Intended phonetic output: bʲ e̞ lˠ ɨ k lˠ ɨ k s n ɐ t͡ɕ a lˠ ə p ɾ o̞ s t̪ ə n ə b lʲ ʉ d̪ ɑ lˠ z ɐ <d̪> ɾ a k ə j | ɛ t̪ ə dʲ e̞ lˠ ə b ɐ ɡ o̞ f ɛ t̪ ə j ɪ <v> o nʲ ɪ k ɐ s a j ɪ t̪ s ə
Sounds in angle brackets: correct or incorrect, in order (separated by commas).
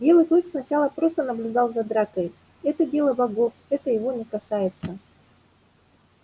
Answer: correct, correct